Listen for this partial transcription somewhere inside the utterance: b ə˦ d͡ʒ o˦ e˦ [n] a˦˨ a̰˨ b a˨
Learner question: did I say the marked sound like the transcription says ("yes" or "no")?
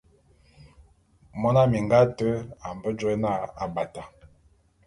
yes